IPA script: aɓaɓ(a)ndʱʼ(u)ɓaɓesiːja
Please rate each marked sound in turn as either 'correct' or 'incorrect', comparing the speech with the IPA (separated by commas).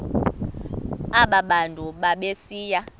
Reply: correct, correct